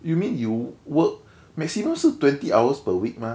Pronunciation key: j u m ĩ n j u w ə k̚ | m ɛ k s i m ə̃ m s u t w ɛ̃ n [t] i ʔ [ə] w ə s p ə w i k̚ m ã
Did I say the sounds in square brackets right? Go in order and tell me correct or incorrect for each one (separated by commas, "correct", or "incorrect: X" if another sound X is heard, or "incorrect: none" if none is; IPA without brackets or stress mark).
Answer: correct, incorrect: a